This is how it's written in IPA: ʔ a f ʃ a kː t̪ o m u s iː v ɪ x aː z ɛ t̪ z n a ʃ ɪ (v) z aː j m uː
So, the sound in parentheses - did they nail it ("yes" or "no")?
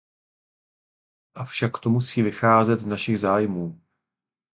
no